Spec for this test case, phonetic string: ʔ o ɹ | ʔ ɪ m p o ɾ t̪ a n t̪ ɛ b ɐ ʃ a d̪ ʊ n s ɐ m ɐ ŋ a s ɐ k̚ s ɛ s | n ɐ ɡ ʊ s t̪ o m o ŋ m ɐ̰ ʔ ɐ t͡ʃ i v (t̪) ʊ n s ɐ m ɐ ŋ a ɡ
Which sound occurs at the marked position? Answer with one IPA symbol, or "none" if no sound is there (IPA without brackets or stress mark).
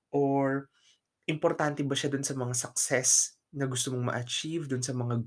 d̪